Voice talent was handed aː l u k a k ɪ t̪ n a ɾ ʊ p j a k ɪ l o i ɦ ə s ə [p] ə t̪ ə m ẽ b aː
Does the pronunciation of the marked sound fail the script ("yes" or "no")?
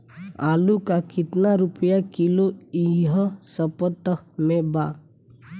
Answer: no